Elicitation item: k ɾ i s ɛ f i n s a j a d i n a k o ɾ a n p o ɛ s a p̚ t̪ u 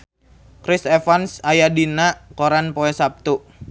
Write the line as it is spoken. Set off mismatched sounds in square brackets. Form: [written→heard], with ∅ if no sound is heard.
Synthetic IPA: k ɾ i s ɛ f [i→a] n s a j a d i n a k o ɾ a n p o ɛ s a p̚ t̪ u